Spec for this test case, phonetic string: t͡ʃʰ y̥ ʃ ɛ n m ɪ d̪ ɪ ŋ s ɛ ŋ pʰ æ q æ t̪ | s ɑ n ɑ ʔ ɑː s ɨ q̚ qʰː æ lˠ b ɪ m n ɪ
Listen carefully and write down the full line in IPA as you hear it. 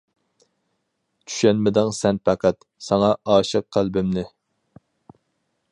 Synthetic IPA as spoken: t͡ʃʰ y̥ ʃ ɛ n m ɪ d̪ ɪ ŋ s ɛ n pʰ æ q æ t̪ | s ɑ ŋ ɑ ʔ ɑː ʃ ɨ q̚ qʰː æ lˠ b ɪ m n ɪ